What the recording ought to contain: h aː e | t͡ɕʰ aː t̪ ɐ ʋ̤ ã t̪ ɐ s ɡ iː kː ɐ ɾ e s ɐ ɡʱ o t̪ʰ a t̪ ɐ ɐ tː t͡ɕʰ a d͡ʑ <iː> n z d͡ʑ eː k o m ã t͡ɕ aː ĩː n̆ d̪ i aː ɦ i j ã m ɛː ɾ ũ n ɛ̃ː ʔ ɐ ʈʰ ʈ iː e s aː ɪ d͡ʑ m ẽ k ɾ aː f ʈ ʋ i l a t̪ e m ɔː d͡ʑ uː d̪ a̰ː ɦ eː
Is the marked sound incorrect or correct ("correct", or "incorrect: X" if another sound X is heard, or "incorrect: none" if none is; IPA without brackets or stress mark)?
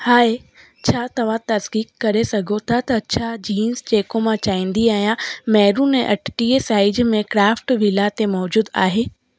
correct